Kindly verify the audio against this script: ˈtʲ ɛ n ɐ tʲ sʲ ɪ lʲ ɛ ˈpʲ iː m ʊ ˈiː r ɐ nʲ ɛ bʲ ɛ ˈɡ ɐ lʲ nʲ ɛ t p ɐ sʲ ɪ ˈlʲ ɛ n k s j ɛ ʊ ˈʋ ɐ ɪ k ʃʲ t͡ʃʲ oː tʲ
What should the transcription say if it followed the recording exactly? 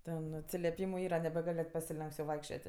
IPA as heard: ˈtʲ ɛ n ɐ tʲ sʲ ɪ lʲ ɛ ˈpʲ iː m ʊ ˈiː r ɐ nʲ ɛ bʲ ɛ ˈɡ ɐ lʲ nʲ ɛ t p ɐ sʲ ɪ ˈlʲ ɛ ŋ k s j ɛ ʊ ˈʋ ɐ ɪ k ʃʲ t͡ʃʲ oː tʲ